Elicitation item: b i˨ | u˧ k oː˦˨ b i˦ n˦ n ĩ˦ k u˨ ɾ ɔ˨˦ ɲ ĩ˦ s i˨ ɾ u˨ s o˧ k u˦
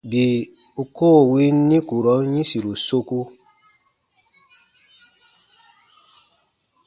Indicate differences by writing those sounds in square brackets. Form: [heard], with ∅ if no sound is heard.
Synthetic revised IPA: b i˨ | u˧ k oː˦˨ [w] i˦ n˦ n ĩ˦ k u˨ ɾ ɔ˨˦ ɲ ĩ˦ s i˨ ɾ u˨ s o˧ k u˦